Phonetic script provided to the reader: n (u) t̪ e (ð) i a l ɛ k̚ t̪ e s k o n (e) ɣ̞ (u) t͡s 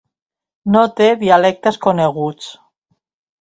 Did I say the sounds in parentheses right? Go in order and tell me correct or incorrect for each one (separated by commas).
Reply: incorrect, correct, correct, correct